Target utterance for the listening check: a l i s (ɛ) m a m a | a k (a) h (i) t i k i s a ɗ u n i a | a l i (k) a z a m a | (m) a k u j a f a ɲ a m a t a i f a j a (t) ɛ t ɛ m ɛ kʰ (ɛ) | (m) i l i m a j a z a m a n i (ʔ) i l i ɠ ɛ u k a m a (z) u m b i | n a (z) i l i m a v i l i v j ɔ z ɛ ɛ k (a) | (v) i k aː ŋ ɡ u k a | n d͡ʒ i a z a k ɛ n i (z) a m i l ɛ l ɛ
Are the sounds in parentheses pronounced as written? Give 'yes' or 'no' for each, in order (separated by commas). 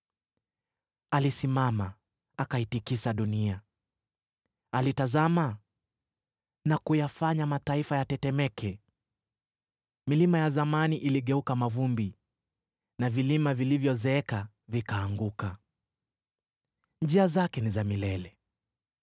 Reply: no, yes, yes, no, no, yes, yes, yes, yes, no, no, yes, yes, yes